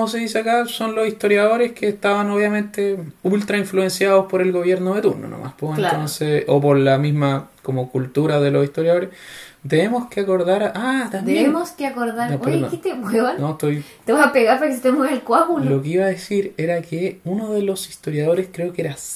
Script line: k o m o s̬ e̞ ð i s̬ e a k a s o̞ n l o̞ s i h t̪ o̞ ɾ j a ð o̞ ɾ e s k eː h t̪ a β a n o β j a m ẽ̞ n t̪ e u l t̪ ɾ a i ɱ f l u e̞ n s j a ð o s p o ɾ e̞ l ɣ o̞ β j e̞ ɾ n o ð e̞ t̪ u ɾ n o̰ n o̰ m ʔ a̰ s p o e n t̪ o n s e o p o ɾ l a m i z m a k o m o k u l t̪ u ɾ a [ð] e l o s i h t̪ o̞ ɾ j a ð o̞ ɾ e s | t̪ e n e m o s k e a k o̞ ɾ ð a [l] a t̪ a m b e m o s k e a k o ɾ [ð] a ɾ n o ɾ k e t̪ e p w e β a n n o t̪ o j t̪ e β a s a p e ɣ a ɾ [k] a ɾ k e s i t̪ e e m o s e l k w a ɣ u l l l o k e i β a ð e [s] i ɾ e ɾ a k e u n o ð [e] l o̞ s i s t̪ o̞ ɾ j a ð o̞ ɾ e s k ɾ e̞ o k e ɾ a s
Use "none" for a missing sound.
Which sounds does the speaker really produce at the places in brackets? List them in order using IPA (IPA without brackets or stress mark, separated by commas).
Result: ð, ɾ, ð, p, s, e